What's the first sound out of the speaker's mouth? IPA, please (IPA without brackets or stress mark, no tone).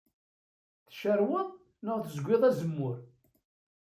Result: θ